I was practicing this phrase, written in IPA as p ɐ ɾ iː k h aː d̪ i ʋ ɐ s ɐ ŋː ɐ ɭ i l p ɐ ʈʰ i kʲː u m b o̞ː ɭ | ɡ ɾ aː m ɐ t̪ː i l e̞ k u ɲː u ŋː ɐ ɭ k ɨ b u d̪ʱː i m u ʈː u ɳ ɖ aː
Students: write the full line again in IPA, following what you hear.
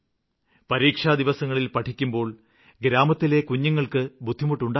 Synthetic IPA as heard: p ɐ ɾ iː k ʂ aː d̪ i ʋ ɐ s ɐ ŋː ɐ ɭ i l p ɐ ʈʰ i kʲː u m b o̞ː ɭ | ɡ ɾ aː m ɐ t̪ː i l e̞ k u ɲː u ŋː ɐ ɭ k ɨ b u d̪ʱː i m u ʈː u ɳ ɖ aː